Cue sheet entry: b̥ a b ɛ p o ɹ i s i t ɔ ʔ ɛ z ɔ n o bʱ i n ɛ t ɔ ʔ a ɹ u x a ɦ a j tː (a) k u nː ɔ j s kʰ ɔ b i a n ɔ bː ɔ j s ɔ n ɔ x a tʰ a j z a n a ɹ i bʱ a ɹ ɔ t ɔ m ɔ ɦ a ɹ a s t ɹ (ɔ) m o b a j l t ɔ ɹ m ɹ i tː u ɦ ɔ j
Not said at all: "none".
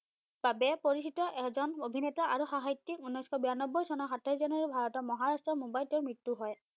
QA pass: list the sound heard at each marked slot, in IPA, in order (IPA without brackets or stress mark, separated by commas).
i, ɔ